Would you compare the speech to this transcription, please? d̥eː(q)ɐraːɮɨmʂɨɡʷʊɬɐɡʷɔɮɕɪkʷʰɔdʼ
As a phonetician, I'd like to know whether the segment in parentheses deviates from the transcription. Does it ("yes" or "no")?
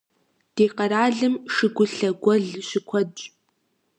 no